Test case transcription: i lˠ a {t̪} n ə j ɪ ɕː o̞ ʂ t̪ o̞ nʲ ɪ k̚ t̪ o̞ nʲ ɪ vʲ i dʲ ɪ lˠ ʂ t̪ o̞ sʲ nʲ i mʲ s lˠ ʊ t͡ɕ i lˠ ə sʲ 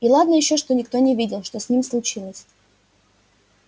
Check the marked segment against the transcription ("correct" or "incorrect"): incorrect